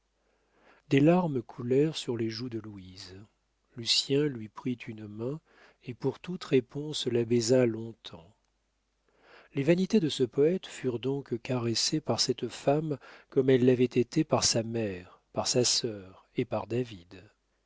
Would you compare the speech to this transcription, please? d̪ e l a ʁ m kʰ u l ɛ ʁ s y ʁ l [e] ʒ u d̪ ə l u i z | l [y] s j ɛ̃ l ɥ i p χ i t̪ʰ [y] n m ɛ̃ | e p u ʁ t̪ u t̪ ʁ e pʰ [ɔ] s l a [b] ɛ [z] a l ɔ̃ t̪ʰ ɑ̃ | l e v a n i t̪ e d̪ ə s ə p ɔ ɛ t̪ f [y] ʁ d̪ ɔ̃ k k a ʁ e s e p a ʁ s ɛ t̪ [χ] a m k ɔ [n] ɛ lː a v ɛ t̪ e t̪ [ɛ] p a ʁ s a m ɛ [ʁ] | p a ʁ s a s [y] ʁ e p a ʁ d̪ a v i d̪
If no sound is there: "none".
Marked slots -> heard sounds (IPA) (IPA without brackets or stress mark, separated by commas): e, y, y, ɔ̃, b, z, y, f, m, e, ʁ, œ